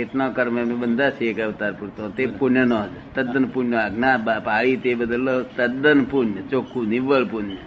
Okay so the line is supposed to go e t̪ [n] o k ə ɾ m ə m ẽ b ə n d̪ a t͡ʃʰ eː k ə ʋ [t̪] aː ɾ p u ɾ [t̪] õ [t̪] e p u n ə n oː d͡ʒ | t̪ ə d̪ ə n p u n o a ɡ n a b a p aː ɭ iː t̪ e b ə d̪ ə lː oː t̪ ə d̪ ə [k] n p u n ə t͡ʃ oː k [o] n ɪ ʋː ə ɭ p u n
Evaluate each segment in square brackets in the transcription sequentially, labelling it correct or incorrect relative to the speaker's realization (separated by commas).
correct, correct, correct, correct, incorrect, incorrect